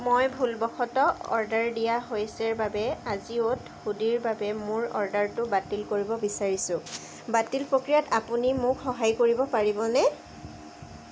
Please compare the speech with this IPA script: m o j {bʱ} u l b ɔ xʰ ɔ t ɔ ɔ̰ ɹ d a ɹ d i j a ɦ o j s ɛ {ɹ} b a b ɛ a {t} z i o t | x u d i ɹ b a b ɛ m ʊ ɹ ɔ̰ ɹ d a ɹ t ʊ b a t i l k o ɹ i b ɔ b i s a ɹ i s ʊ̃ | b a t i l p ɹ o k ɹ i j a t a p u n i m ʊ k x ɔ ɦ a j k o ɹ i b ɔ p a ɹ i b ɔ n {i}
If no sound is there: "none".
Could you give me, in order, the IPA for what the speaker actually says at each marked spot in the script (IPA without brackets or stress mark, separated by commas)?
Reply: bʱ, ɹ, none, ɛ